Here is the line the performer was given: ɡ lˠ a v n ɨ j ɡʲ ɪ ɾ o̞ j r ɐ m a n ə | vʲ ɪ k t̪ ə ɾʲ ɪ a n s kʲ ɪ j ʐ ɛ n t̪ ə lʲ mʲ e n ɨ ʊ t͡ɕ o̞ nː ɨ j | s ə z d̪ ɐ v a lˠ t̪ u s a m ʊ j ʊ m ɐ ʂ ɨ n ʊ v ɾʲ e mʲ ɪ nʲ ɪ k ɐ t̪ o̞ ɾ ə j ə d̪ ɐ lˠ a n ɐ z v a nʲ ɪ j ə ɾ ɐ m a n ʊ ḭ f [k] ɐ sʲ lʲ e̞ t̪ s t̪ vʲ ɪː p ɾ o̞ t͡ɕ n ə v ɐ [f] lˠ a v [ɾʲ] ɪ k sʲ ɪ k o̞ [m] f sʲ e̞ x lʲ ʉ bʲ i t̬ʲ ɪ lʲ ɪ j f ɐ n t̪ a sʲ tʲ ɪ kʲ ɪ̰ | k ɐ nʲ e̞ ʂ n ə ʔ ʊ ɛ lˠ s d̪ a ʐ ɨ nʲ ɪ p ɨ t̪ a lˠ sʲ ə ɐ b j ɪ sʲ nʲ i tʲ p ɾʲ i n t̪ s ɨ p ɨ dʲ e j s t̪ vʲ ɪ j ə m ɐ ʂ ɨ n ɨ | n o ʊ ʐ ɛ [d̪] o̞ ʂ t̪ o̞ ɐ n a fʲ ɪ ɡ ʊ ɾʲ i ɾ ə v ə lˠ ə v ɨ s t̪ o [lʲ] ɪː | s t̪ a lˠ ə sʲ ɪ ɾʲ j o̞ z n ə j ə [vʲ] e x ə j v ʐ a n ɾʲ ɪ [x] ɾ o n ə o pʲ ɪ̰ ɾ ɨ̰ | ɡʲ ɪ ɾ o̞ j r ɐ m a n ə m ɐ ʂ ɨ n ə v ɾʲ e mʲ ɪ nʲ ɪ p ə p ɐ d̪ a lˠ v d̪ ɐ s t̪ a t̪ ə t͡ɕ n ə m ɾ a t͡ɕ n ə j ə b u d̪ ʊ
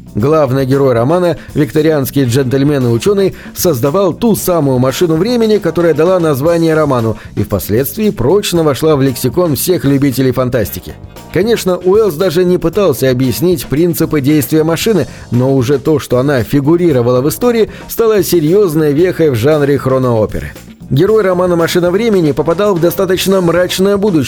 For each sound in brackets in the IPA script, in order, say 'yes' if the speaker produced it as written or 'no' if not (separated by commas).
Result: no, no, no, no, no, no, yes, yes